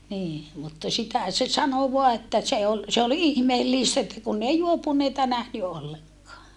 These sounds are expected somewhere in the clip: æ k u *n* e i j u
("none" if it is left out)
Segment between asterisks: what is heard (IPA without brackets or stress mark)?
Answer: nː